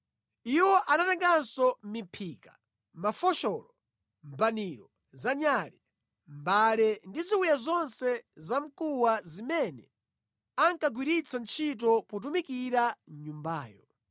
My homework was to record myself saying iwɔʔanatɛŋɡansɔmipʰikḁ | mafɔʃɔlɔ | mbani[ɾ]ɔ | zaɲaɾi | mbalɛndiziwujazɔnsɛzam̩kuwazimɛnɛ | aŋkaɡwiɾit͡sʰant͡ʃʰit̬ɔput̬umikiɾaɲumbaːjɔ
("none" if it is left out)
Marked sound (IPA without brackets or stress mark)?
ɾ